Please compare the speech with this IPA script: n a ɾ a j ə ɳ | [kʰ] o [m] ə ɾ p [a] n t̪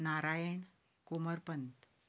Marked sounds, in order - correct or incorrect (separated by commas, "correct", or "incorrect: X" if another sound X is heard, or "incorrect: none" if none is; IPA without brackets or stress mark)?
incorrect: k, correct, incorrect: ə